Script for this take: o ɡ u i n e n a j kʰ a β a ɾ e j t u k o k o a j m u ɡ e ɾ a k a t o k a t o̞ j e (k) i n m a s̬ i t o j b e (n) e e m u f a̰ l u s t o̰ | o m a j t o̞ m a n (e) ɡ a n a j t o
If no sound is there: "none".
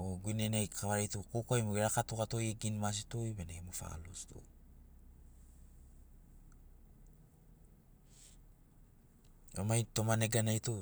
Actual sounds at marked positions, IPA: ɡ, n, e

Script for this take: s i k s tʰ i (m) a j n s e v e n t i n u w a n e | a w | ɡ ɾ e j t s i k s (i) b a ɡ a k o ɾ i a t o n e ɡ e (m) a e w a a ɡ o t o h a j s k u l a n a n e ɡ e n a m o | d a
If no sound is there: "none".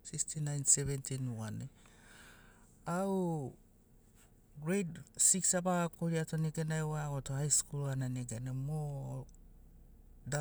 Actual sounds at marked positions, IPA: n, a, n

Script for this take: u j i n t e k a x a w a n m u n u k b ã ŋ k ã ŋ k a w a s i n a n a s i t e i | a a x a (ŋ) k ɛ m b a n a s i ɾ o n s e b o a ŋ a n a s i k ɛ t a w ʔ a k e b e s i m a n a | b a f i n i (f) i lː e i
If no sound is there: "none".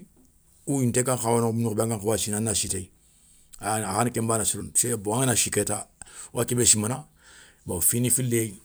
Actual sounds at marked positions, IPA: n, f

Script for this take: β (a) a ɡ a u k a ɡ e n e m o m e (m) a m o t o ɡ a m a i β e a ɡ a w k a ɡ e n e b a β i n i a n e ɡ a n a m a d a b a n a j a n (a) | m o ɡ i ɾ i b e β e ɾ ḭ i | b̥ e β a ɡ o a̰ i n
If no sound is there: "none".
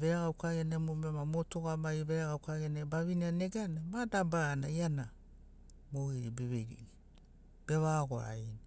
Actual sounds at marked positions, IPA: e, m, a

